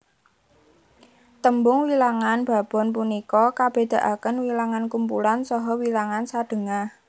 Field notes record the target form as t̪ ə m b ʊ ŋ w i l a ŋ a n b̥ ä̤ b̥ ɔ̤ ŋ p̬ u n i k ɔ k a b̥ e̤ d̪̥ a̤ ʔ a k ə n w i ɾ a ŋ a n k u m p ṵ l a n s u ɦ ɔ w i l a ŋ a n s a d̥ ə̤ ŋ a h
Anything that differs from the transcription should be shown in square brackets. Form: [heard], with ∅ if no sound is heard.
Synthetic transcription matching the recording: t̪ ə m b ʊ ŋ w i l a ŋ a n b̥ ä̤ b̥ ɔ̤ [n] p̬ u n i k ɔ k a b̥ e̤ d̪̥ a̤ ʔ a k ə n w i [l] a ŋ a n k u m p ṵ l a n s [ɔ] ɦ ɔ w i l a ŋ a n s a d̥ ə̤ ŋ a h